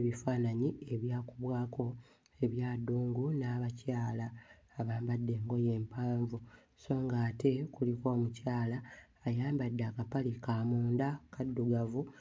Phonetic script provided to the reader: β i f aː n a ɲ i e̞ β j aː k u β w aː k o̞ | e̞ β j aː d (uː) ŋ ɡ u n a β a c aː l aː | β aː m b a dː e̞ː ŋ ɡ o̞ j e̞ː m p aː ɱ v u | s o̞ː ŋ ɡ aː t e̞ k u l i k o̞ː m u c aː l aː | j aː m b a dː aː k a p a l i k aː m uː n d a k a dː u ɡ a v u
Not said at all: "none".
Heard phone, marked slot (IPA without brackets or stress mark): uː